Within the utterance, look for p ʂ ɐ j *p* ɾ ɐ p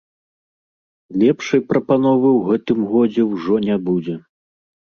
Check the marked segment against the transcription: correct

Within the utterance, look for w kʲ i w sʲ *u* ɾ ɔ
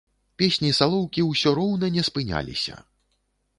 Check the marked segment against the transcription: incorrect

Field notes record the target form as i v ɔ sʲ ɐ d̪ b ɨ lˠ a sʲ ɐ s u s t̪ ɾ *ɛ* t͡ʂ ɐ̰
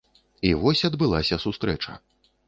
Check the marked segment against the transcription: correct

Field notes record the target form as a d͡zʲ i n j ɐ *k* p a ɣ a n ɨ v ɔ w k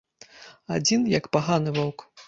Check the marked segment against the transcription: correct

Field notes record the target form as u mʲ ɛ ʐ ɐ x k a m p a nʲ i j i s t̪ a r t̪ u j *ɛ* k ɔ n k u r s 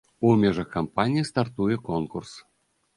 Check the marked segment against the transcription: correct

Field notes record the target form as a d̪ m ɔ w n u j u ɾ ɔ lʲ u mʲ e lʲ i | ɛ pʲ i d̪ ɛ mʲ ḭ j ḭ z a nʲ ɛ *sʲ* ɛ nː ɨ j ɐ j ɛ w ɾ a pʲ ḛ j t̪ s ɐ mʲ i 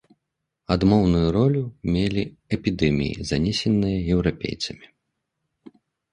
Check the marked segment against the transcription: correct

